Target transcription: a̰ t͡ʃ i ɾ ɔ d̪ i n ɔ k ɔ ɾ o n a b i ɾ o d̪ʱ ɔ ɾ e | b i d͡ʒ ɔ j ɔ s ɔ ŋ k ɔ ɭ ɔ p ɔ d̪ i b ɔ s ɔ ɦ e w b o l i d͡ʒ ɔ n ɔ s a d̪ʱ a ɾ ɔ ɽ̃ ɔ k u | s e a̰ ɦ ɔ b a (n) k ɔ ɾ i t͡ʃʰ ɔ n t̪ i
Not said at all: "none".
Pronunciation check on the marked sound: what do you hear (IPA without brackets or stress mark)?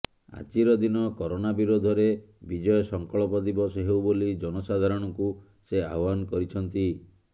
n